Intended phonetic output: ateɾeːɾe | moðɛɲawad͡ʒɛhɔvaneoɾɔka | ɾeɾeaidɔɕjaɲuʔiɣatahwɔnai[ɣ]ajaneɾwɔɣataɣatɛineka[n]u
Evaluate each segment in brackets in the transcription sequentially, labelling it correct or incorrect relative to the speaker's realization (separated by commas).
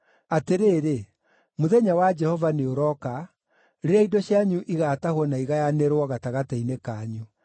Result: correct, incorrect